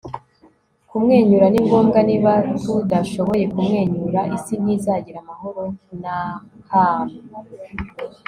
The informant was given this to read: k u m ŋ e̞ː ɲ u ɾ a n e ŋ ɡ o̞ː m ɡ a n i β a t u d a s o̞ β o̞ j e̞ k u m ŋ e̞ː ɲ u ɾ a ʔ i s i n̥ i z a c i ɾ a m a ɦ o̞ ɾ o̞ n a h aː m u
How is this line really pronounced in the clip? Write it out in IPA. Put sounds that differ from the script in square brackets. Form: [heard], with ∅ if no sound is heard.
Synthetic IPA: k u m ŋ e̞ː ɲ u ɾ a n [i] ŋ ɡ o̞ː m ɡ a n i β a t u d a [ʃ] o̞ β o̞ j e̞ k u m ŋ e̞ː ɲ u ɾ a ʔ i s i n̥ i z a [ɟ] i ɾ a m a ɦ o̞ ɾ o̞ n a h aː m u